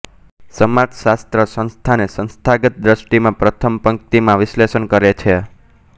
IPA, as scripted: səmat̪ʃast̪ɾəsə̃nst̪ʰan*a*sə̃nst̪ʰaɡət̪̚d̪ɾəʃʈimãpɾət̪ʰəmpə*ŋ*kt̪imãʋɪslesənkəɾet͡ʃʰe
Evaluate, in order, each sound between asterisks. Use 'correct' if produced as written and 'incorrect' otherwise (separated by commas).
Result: incorrect, correct